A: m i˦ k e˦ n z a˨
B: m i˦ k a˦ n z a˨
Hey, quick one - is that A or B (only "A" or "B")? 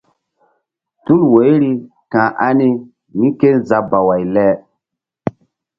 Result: A